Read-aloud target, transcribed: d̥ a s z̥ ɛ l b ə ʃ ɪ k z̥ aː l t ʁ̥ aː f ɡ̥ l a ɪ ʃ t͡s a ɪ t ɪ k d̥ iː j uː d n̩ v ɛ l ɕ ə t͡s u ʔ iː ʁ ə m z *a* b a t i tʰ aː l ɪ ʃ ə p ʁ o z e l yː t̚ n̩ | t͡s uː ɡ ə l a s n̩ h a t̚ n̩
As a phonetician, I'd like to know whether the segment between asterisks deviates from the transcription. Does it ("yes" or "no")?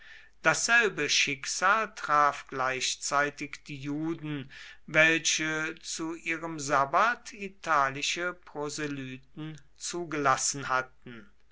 no